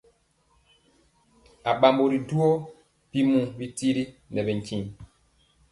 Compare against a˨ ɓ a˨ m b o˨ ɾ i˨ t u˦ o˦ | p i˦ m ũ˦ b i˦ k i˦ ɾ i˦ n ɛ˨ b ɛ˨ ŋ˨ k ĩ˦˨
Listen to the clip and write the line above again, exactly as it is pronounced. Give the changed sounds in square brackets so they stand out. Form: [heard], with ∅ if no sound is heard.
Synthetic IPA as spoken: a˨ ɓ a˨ m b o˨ ɾ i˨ [d] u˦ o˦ | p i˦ m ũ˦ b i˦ [t] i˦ ɾ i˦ n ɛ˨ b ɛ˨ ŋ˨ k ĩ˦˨